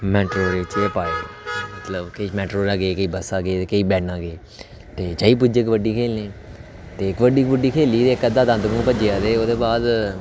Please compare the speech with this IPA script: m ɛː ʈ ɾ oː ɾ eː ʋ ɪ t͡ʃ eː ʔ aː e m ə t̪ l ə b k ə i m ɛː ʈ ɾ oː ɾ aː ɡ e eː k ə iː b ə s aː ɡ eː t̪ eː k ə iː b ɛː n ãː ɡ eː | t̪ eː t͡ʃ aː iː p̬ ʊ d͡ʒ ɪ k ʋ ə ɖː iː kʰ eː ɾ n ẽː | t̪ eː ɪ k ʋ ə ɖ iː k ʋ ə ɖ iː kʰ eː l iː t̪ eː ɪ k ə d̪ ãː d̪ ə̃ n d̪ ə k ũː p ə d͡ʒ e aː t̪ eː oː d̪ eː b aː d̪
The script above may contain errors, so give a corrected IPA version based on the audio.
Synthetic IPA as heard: m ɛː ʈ ɾ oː ɾ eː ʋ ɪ t͡ʃ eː p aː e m ə t̪ l ə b k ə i m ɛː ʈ ɾ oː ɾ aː ɡ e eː k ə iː b ə s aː ɡ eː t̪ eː k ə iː b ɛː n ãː ɡ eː | t̪ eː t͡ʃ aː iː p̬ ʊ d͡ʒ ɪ k ʋ ə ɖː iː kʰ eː l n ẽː | t̪ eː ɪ k ʋ ə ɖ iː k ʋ ə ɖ iː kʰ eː l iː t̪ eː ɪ k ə d̪ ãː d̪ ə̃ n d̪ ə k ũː p ə d͡ʒ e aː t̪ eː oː d̪ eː b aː d̪